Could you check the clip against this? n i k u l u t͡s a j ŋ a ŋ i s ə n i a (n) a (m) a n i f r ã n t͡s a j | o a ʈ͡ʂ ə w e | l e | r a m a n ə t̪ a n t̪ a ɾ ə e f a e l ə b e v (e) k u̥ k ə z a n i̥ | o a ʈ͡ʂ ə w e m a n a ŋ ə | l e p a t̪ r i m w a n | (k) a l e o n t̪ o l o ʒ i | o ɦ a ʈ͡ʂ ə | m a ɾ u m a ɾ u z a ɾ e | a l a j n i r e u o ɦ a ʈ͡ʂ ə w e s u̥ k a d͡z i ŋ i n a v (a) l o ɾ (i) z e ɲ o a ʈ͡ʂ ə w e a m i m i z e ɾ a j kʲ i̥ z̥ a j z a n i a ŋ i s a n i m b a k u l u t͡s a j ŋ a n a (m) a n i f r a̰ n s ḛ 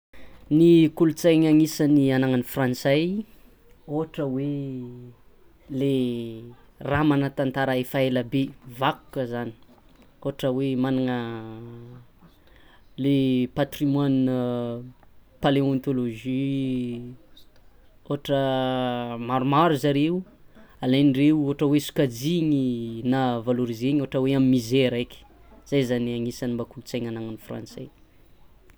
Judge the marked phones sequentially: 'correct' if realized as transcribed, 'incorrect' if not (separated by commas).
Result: correct, incorrect, incorrect, incorrect, correct, correct, incorrect